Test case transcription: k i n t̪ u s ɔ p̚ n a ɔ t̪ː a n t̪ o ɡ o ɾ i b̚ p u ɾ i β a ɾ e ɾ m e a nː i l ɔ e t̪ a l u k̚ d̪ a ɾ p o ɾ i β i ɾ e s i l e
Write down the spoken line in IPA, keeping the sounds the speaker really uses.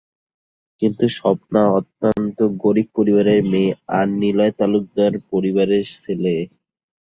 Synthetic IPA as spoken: k i n t̪ u ʃ ɔ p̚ n a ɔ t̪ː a n t̪ o ɡ o ɾ i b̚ p o ɾ i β a ɾ e ɾ m e a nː i l ɔ e t̪ a l u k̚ d̪ a ɾ p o ɾ i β a ɾ e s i l e